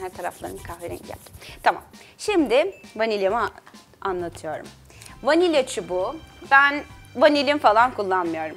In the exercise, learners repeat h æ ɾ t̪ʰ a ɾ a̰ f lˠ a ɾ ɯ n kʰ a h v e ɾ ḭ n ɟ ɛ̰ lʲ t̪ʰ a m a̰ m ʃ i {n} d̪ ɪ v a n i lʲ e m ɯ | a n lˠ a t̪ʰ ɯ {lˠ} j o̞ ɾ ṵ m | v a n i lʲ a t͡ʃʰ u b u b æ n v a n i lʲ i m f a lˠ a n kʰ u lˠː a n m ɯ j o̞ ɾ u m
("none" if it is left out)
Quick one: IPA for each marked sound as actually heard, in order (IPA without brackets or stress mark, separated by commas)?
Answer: m, none